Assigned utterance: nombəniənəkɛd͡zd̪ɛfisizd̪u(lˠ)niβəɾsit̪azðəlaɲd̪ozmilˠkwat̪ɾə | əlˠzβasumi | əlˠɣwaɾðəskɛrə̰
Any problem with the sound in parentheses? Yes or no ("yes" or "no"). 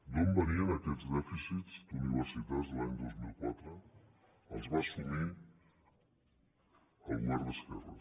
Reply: yes